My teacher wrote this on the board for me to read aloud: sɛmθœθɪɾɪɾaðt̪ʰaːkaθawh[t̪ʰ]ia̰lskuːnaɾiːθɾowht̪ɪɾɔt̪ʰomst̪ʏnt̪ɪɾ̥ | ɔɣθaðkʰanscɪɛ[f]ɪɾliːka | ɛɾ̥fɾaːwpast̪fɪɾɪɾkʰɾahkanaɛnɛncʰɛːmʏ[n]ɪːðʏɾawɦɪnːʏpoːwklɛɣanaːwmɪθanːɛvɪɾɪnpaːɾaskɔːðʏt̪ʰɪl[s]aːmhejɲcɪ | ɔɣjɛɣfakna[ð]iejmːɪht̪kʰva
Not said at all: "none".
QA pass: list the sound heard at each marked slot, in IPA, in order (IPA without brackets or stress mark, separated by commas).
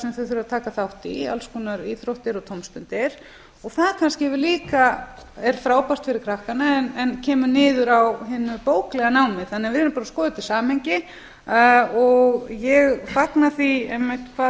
t̪, v, n, s, θ